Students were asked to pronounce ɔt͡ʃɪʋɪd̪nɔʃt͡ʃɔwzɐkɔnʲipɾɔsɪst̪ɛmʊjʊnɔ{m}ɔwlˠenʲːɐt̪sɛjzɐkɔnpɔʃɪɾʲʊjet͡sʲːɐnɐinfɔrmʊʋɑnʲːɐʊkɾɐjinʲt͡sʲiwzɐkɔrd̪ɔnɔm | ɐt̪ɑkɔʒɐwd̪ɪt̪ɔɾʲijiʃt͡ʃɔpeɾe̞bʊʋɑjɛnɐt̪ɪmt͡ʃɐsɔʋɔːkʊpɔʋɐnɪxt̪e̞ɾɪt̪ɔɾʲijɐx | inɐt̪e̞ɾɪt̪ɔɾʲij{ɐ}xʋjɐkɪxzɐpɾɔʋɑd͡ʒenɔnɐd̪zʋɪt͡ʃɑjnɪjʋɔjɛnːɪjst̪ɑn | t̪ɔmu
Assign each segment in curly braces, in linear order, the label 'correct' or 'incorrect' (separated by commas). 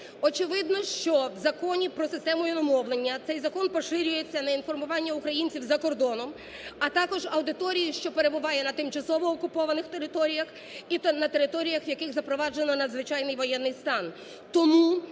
correct, correct